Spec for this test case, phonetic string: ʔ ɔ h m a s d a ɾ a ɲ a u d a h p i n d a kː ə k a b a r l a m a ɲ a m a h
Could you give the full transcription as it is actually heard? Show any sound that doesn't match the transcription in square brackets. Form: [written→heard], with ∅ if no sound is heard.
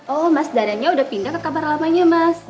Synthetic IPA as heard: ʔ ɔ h m a s d a ɾ a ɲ a u d a h p i n d a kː ə k a b a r l a m a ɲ a m a [h→s]